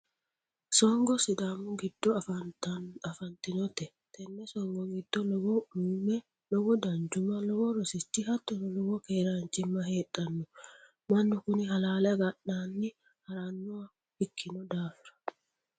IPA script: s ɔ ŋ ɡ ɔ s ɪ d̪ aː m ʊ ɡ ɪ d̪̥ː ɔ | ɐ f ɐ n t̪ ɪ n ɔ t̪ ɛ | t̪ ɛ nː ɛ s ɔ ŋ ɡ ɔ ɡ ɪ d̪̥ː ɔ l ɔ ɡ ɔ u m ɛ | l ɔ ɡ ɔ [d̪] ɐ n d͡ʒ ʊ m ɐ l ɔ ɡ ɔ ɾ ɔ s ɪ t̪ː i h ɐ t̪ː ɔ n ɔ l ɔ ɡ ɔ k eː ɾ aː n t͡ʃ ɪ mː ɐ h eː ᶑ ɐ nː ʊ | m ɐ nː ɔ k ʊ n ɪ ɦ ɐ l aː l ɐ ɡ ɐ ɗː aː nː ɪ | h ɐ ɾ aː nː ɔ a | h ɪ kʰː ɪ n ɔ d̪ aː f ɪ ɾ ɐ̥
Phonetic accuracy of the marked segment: correct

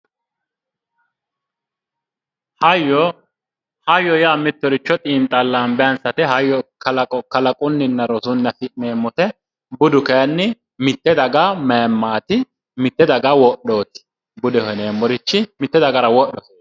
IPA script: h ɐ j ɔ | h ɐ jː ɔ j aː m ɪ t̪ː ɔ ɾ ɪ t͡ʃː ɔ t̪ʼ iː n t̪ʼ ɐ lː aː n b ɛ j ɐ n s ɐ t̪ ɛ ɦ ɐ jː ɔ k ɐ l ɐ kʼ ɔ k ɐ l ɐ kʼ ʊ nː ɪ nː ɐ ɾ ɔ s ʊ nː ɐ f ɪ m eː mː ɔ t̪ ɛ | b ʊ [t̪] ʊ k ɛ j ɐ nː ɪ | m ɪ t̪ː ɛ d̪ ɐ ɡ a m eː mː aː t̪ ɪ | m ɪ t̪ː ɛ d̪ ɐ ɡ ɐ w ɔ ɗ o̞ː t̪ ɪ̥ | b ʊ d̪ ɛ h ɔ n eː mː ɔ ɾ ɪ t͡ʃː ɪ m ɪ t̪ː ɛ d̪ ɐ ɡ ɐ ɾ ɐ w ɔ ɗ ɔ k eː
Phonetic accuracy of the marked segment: incorrect: d̪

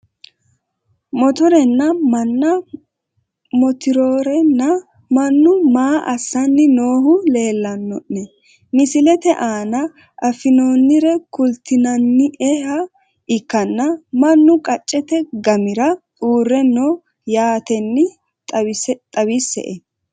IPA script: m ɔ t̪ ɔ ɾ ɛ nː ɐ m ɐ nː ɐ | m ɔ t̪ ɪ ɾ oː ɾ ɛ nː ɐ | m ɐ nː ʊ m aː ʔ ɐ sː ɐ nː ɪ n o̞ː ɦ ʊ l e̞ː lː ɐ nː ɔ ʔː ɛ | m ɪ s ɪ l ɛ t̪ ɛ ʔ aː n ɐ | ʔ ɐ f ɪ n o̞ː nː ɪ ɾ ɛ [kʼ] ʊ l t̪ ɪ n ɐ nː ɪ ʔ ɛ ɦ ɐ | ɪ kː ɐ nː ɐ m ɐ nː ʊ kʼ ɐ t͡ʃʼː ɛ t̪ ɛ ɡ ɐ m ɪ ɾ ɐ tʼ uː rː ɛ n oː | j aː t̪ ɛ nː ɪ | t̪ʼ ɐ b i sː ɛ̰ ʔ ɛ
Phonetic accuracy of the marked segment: incorrect: k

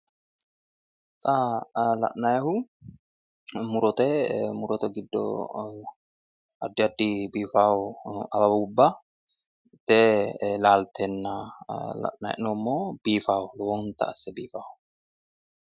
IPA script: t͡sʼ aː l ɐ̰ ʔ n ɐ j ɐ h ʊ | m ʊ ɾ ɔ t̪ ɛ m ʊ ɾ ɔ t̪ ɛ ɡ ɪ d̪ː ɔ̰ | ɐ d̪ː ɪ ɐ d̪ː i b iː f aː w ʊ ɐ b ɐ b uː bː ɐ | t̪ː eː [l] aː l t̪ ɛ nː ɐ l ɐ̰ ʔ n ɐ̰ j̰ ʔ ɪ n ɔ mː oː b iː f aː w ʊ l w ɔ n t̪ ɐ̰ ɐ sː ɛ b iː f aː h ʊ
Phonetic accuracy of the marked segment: correct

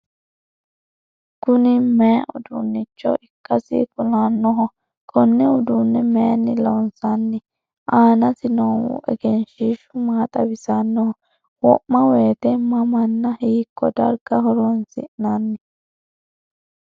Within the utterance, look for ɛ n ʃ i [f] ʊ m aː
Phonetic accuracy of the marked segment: incorrect: ʃ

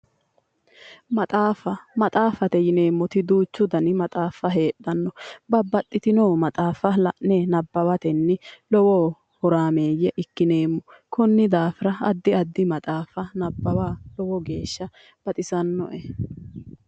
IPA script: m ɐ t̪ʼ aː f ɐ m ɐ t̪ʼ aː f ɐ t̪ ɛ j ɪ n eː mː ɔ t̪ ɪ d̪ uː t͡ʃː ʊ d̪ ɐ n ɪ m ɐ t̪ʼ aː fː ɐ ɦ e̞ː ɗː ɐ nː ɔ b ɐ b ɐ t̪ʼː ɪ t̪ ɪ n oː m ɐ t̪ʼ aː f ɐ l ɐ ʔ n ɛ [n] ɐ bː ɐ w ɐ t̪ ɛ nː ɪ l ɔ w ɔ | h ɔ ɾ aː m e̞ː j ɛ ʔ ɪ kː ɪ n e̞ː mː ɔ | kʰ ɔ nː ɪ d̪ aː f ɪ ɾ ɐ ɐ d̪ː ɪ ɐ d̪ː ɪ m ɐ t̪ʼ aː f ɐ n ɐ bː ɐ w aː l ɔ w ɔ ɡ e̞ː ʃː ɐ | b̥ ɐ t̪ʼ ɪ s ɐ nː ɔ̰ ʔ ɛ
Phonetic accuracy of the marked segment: correct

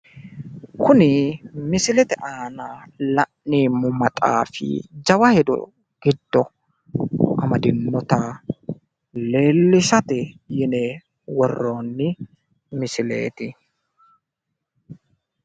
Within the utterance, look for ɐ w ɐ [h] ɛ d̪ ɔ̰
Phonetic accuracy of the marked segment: correct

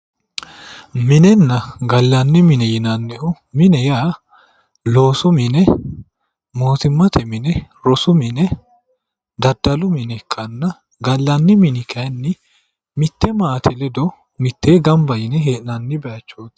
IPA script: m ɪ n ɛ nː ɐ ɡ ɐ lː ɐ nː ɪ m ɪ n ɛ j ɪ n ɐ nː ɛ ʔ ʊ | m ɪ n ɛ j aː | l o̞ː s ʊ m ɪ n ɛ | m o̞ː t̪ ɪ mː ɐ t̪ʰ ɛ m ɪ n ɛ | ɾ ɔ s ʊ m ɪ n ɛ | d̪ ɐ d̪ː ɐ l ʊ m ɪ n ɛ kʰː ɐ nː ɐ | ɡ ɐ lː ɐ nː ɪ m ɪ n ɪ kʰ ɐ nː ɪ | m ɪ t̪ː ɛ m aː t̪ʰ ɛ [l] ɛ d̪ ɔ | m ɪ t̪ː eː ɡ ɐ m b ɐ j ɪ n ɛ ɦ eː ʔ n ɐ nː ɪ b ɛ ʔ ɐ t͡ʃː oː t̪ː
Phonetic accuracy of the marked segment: correct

